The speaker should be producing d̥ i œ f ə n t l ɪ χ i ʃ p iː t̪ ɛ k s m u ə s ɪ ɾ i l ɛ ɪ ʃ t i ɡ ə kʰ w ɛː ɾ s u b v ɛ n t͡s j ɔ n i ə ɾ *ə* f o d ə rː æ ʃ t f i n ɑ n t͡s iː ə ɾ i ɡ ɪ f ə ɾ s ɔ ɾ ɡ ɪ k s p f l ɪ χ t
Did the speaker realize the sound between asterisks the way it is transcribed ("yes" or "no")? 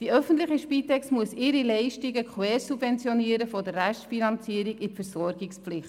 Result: yes